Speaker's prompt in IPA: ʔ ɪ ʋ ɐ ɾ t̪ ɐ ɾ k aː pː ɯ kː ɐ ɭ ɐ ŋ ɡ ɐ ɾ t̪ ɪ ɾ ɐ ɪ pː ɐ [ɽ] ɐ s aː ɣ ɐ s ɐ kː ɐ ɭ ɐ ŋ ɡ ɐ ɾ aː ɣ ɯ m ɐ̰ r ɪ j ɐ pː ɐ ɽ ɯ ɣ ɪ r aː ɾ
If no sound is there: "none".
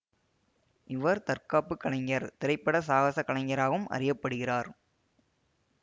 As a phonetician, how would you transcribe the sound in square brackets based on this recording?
ɽ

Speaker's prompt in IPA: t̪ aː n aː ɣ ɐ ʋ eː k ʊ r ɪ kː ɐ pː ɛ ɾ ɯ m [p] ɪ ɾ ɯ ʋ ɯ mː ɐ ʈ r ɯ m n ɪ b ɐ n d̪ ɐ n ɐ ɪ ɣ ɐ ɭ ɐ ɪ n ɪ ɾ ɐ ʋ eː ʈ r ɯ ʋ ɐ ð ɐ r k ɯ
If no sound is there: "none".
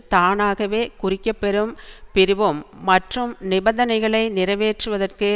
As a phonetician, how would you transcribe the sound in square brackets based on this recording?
p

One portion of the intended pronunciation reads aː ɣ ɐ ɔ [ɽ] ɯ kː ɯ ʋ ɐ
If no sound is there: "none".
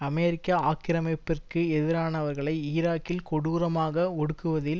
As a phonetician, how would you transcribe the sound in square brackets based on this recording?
ɽ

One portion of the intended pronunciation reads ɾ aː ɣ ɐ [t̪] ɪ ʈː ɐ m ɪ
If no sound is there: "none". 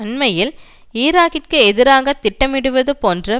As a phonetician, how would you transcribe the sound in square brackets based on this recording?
t̪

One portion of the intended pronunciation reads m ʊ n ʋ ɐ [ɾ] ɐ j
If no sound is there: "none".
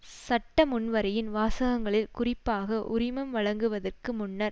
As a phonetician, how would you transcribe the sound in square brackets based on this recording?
ɾ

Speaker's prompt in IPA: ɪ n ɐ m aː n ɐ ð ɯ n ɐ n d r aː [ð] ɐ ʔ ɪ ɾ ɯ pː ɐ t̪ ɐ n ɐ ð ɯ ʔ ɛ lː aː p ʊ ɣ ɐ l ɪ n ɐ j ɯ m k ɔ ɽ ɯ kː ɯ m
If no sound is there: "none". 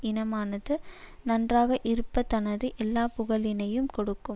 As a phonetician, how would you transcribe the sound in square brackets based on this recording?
ɣ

